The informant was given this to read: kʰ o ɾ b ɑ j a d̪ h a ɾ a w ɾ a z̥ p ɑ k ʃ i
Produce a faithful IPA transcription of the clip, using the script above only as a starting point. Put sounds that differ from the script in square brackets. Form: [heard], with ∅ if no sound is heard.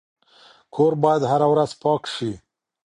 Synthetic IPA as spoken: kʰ o ɾ b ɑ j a d̪ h a ɾ a w ɾ a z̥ p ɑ k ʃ i

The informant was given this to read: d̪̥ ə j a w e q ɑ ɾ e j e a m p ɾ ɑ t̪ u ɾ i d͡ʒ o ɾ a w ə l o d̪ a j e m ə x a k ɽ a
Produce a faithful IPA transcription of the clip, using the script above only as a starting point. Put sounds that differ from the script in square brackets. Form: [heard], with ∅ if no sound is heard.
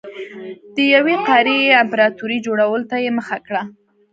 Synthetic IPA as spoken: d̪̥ ə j a w e q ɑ ɾ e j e a m p ɾ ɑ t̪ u ɾ i d͡ʒ o [ɽ] a w ə l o [t̪] a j e m ə x a k ɽ a

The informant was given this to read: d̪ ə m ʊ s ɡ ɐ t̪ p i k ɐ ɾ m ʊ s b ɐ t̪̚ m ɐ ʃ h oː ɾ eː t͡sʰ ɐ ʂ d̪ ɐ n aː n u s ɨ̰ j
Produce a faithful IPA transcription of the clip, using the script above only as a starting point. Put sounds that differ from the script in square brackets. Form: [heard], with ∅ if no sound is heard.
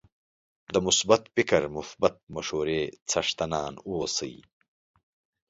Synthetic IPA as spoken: d̪ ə m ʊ s [b] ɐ t̪ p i k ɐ ɾ m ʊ s b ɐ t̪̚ m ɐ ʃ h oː ɾ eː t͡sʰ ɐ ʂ [t̪] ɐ n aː n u s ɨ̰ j

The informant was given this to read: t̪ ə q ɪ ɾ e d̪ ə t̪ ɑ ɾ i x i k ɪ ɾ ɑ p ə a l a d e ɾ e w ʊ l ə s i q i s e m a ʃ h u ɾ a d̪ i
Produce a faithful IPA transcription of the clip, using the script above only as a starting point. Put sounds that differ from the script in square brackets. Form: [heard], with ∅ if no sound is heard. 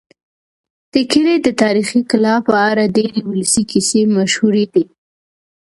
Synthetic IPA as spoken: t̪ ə [k] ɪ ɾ e d̪ ə t̪ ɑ ɾ i x i k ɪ [l] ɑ p ə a [ɾ] a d e ɾ e w ʊ l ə s i [k] i s e m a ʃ h u ɾ [e] d̪ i

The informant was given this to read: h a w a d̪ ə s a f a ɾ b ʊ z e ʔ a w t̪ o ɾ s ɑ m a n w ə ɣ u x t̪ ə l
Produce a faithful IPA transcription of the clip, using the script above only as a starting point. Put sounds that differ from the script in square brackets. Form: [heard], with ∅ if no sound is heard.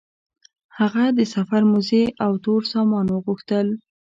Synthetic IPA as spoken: h a [ɣ] a d̪ ə s a f a ɾ [m] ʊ z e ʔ a w t̪ o ɾ s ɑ m [ɑ] n w ə ɣ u x t̪ ə l

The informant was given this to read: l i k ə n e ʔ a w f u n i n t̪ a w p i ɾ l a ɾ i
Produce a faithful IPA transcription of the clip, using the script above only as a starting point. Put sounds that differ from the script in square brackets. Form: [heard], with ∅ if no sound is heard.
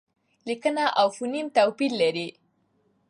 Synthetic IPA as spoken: l i k ə n [a] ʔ a w f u n i [m] t̪ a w p i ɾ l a ɾ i

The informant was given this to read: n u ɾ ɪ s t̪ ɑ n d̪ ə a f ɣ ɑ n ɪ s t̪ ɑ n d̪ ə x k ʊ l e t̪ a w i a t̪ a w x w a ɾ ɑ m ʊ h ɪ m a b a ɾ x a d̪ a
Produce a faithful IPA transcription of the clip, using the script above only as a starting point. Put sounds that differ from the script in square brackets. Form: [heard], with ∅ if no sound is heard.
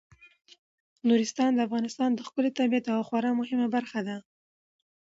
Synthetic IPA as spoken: n u ɾ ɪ s t̪ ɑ n d̪ ə a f ɣ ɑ n ɪ s t̪ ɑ n d̪ ə x k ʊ l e t̪ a [b] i a t̪ a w x w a ɾ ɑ m ʊ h ɪ m a b a ɾ x a d̪ a

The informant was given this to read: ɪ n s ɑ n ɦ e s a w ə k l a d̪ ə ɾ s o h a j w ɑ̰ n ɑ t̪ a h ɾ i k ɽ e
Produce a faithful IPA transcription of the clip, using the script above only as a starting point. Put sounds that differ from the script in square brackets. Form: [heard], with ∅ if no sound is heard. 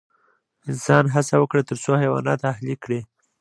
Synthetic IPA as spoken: ɪ n s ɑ n ɦ [a] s a w ə k [ɽ] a [t̪] ə ɾ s o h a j w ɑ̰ n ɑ t̪ a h [l] i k ɽ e

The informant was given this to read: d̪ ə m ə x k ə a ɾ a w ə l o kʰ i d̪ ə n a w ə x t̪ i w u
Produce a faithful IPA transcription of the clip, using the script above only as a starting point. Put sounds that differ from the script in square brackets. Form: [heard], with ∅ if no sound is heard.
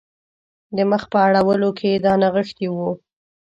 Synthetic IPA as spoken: d̪ ə m ə x [p] ə a [ɽ] a w ə l o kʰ [e] d̪ [ɑ] n a [ɣ] ə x t̪ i w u

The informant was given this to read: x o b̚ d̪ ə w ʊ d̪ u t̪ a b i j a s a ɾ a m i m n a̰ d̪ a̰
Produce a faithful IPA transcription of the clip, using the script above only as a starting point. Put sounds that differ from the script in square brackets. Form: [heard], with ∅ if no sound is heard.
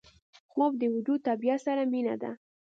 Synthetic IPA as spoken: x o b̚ d̪ ə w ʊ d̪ u t̪ a b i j a s a ɾ a m i [∅] n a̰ d̪ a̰

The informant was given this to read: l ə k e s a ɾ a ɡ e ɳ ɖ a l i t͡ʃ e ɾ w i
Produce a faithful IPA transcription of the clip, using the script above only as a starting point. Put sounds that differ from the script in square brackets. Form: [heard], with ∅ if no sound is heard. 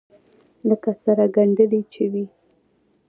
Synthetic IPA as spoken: l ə k [a] s a ɾ a ɡ [a] ɳ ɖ [ə] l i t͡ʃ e [∅] w i

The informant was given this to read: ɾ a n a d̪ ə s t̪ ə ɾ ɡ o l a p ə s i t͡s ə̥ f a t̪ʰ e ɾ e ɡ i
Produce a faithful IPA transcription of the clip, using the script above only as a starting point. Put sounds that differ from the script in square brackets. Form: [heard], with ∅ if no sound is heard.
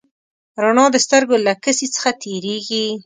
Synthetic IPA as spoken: ɾ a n [ɑ] d̪ ə s t̪ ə ɾ ɡ o l a [k] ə s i t͡s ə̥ [x] a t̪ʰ e ɾ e ɡ i

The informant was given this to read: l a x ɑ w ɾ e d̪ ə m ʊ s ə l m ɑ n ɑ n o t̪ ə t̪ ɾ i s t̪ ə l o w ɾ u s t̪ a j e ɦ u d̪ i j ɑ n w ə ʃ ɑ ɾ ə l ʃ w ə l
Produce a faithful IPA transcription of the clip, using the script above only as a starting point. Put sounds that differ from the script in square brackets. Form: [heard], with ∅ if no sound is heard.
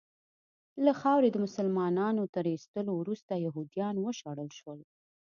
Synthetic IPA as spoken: l a x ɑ w ɾ e d̪ ə m ʊ s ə l m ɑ n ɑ n o t̪ ə [∅] ɾ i s t̪ ə l o w ɾ u s t̪ a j [a] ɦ u d̪ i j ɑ n w ə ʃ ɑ [ɽ] ə l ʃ w ə l

